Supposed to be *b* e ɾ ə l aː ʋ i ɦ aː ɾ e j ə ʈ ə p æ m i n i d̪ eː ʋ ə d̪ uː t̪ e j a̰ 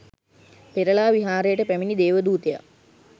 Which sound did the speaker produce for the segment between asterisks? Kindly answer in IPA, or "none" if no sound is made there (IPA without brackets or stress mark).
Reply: p